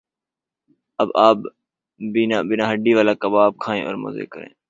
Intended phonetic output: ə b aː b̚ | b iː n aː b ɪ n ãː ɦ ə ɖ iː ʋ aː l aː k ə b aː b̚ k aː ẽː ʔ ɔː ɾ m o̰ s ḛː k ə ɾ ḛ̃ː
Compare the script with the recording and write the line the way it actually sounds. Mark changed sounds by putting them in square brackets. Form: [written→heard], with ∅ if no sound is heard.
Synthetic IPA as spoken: ə b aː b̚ | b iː n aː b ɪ n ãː ɦ ə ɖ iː ʋ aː l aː k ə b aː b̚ [k→kʰ] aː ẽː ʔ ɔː ɾ m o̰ [s→z] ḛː k ə ɾ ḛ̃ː